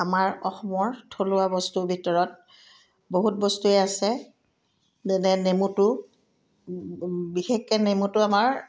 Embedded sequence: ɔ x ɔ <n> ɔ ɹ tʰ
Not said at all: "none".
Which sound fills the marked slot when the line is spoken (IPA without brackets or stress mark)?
m